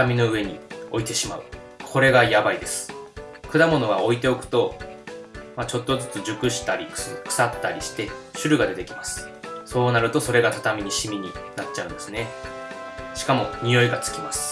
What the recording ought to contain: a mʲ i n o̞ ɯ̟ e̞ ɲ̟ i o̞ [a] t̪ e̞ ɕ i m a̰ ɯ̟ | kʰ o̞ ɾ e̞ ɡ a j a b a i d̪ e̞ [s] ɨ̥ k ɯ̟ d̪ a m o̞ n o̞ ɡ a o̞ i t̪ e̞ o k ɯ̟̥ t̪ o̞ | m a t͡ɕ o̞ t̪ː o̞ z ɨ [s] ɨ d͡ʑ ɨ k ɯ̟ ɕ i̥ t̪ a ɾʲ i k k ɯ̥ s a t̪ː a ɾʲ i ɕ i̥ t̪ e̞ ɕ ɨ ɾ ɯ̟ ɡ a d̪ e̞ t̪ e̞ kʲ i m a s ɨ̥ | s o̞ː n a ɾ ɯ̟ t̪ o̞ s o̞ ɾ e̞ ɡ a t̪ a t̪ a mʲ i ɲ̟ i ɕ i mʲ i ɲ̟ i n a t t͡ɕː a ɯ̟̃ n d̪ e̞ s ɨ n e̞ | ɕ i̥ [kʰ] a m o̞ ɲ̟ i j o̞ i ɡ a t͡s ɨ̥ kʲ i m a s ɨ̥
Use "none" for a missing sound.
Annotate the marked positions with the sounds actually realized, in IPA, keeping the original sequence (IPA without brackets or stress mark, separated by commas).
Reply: i, s, t͡s, k